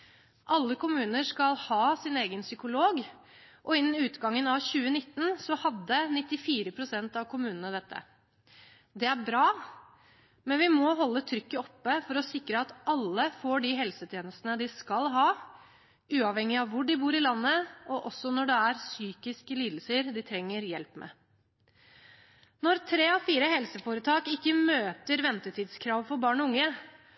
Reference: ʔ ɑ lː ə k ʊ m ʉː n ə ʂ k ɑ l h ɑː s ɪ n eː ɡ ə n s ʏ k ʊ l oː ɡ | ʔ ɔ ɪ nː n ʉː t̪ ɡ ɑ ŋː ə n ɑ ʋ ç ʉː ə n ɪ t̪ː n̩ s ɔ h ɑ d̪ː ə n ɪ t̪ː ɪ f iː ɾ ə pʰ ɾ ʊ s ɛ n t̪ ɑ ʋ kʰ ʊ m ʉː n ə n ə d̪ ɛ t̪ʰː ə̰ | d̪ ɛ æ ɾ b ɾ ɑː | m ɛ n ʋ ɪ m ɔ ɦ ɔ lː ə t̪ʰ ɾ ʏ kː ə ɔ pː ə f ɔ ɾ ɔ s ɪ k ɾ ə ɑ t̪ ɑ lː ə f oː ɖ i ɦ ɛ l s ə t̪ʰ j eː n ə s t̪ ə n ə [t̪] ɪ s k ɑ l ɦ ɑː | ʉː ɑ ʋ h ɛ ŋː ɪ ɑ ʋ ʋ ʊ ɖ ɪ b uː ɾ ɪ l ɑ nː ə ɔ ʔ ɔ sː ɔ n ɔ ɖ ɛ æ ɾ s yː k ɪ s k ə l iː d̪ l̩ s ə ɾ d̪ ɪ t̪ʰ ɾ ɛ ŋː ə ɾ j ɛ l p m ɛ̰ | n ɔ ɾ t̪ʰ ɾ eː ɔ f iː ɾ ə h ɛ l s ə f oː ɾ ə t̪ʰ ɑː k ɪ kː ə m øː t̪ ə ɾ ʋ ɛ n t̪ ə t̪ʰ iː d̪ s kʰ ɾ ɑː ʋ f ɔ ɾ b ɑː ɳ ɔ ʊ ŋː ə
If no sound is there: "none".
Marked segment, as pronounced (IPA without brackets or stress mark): d̪